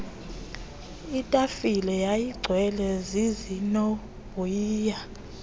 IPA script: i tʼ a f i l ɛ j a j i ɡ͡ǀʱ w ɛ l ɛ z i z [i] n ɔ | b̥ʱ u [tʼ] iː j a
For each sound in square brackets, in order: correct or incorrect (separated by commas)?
correct, incorrect